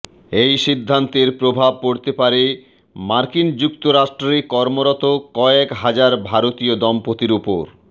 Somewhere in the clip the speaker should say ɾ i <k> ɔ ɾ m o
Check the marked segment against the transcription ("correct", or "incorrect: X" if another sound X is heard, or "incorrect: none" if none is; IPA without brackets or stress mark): correct